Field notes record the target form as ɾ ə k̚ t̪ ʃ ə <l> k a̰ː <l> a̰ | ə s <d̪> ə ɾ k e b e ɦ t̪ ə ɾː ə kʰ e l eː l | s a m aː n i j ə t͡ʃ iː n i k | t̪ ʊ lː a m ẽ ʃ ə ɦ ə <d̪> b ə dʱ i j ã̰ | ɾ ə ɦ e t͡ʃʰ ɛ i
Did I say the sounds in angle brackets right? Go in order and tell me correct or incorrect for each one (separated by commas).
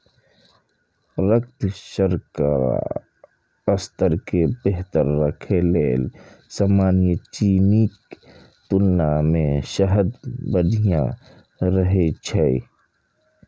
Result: incorrect, incorrect, incorrect, correct